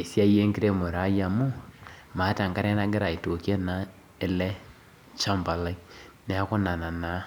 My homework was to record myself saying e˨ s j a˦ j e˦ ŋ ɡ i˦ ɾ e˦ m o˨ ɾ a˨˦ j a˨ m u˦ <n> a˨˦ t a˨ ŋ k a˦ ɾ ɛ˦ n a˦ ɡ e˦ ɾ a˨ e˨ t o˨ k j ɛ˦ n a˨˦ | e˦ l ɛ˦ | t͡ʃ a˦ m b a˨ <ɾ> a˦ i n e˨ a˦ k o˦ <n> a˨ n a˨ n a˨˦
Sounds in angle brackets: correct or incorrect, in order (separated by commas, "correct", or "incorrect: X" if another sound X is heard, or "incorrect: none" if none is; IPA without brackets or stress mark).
incorrect: m, incorrect: l, correct